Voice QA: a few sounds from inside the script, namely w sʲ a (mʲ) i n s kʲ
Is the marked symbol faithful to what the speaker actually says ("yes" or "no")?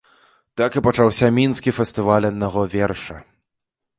yes